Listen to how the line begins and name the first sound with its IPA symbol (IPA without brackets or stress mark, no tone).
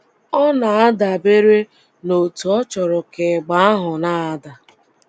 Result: ɔ